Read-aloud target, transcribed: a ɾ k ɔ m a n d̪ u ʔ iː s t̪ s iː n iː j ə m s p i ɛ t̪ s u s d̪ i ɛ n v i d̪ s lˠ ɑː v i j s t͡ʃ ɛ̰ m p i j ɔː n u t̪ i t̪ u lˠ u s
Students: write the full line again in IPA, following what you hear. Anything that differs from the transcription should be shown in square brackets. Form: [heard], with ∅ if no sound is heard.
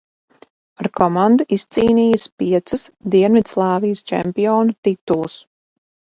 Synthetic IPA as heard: a ɾ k ɔ m a n d̪ u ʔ [i] s t̪ s iː n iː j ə [∅] s p i ɛ t̪ s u s d̪ i ɛ n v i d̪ s lˠ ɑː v i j s t͡ʃ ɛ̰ m p i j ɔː n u t̪ i t̪ u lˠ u s